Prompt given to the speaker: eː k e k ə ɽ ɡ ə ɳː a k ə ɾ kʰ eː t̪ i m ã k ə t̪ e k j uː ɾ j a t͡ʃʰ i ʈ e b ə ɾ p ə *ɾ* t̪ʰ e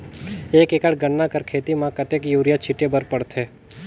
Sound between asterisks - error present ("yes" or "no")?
yes